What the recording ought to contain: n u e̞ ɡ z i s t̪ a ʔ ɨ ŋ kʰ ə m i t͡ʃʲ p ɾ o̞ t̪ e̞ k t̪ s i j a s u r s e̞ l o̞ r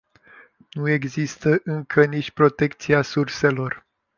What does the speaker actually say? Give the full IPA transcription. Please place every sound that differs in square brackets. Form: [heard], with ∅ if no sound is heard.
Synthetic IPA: n u e̞ ɡ z i s t̪ [ə] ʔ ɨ ŋ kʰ ə [n] i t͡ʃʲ p ɾ o̞ t̪ e̞ k t̪ s i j a s u r s e̞ l o̞ r